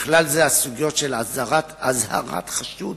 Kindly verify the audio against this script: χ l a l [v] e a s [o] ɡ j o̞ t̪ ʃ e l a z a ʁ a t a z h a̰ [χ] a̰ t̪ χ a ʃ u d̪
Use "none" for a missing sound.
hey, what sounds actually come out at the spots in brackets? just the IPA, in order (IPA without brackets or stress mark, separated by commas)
z, u, ʁ